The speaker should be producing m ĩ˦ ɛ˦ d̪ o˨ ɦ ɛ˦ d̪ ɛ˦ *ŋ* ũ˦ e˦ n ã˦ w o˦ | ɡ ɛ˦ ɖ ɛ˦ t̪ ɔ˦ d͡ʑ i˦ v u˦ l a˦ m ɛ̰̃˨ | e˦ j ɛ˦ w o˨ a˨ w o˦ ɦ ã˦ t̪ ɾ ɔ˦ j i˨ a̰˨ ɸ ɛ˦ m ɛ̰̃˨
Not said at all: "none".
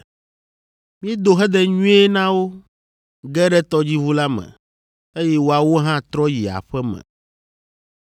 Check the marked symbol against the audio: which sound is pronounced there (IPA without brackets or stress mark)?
ɲ